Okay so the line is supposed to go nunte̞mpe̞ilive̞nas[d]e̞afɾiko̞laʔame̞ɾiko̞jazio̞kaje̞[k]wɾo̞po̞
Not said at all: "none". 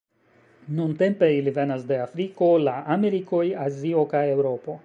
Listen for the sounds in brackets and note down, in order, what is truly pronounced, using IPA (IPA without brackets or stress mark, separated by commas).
d, none